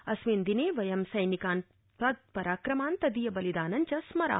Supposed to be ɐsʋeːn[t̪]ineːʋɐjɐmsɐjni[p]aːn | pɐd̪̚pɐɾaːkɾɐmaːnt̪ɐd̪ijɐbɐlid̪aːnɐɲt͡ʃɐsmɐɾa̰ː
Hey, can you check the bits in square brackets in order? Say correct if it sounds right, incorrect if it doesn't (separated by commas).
incorrect, incorrect